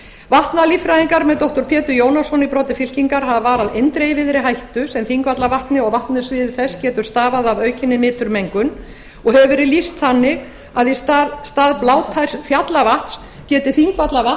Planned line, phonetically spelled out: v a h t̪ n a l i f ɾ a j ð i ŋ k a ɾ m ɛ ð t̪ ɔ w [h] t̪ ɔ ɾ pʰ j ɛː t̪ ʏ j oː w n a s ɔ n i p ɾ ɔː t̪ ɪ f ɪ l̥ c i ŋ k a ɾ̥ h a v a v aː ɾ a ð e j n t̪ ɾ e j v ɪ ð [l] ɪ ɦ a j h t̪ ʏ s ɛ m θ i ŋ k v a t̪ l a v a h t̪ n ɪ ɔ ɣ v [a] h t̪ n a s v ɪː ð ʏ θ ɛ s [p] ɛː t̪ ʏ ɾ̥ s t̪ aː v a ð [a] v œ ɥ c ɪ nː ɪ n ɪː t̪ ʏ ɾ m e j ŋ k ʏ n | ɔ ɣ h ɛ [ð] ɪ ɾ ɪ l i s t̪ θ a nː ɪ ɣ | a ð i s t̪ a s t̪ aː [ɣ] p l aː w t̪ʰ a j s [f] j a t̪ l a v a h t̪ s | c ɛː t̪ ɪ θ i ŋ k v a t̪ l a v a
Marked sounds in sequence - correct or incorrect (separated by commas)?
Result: correct, incorrect, correct, incorrect, correct, incorrect, incorrect, correct